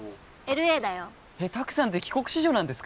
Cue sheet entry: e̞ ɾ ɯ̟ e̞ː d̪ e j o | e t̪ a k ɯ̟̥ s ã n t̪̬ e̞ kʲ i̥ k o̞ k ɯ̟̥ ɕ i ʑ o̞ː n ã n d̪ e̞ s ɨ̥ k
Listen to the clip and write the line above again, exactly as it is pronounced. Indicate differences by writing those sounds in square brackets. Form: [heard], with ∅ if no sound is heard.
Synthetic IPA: e̞ ɾ ɯ̟ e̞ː d̪ [a] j o | e t̪ a k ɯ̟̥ s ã n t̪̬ e̞ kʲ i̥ k o̞ k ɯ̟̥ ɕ i ʑ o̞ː n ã n d̪ e̞ s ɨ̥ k